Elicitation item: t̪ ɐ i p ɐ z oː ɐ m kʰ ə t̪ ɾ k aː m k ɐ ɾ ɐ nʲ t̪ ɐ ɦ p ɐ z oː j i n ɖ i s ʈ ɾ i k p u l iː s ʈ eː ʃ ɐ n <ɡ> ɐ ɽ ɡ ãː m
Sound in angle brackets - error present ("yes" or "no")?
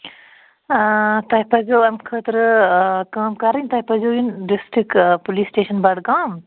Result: yes